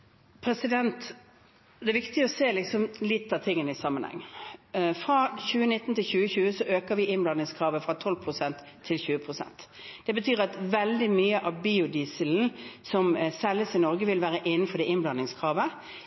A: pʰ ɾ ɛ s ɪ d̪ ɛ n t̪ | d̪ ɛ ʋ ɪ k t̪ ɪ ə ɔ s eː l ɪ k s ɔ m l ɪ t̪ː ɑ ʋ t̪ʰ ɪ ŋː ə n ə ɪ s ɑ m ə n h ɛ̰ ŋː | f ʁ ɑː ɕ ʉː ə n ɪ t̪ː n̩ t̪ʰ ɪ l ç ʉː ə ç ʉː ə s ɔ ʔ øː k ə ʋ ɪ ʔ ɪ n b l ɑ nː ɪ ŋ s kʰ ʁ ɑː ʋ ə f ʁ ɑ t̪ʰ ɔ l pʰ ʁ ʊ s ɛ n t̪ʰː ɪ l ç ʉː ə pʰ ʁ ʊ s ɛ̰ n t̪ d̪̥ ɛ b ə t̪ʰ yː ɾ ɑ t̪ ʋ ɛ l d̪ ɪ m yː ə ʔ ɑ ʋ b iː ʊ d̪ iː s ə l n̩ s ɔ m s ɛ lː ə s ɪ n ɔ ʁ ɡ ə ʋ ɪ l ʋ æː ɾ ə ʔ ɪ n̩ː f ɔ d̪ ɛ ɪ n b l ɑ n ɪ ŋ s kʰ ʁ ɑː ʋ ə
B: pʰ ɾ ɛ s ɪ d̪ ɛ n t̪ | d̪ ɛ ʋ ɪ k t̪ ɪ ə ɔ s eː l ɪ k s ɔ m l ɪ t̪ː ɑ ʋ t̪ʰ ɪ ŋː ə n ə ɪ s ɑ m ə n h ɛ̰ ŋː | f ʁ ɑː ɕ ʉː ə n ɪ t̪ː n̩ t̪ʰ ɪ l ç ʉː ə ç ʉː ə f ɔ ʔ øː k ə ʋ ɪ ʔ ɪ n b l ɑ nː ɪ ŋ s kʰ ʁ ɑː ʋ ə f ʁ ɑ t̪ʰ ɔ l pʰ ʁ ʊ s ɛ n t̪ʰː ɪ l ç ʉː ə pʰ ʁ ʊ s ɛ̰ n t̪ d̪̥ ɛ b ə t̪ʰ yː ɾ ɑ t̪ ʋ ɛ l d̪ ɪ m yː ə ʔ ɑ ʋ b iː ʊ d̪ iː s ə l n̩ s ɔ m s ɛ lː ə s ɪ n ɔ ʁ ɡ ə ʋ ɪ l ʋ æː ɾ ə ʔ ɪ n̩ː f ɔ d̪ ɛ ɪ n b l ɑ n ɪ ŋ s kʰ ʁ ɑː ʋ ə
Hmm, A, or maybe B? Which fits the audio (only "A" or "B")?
A